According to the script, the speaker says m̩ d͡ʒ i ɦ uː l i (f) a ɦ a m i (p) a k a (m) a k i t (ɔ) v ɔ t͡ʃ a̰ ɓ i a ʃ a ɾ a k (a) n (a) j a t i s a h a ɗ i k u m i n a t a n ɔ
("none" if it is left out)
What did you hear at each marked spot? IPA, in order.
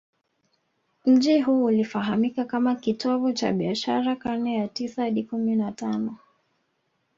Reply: f, k, m, ɔ, a, ɛ

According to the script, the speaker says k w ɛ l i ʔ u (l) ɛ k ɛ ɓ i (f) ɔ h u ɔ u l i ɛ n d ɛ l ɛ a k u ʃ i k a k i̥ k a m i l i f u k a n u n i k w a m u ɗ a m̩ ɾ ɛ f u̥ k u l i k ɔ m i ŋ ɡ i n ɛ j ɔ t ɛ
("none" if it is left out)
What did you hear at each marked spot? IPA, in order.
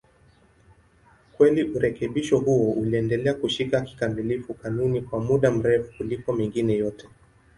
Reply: ɾ, ʃ

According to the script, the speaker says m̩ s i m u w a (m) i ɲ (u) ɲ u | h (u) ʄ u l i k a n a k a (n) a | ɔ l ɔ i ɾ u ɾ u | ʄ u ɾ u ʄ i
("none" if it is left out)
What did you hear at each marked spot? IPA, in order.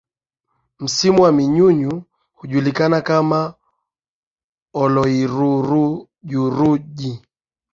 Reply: m, u, u, m

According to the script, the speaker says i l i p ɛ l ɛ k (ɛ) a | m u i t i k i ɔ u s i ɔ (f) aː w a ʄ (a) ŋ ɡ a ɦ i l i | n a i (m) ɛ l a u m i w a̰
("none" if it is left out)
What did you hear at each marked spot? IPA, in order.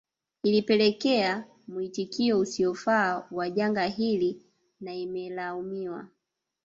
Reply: ɛ, f, a, m

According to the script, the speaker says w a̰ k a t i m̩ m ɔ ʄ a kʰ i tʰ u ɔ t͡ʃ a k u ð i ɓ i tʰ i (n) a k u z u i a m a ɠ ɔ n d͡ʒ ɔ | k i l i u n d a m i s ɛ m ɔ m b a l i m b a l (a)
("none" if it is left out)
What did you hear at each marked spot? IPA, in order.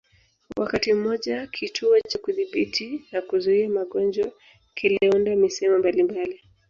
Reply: n, i

